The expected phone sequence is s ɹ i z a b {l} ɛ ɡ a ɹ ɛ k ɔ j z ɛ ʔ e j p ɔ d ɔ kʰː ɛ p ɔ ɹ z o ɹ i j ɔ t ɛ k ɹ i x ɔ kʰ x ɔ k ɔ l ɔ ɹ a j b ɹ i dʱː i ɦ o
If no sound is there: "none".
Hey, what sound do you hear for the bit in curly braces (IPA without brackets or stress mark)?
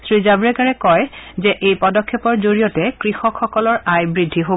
ɹ